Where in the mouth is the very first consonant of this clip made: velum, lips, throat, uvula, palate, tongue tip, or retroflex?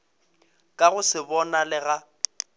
velum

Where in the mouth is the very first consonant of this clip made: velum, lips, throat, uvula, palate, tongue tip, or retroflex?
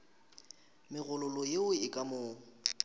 lips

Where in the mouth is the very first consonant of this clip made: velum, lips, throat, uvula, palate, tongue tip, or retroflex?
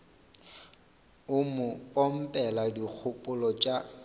lips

